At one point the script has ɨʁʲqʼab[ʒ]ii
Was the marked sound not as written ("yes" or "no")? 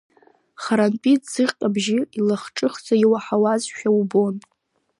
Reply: no